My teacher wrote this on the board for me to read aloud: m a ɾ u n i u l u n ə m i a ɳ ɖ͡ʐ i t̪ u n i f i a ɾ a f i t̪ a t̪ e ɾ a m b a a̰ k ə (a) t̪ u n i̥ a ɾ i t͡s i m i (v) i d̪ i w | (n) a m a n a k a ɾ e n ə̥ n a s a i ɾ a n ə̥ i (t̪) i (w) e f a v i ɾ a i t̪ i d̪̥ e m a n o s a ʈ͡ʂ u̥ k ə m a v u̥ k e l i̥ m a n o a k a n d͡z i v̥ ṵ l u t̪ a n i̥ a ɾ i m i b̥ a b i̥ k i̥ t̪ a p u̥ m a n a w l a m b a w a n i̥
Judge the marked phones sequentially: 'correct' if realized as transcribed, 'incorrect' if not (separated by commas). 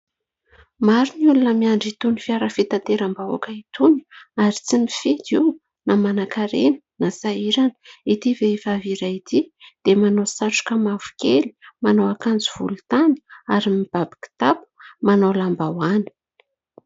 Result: incorrect, incorrect, correct, correct, incorrect